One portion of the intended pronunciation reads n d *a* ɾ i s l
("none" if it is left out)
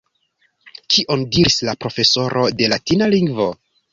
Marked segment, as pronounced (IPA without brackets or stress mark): i